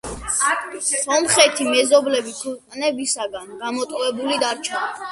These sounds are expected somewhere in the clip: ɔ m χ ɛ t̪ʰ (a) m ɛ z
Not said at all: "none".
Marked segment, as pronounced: i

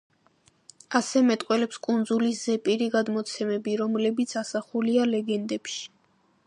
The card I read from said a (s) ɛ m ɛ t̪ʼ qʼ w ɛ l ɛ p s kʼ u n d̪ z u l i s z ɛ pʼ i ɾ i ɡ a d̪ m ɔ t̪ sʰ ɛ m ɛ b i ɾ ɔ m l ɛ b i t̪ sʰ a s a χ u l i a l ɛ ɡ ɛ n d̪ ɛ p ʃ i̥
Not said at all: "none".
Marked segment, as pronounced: s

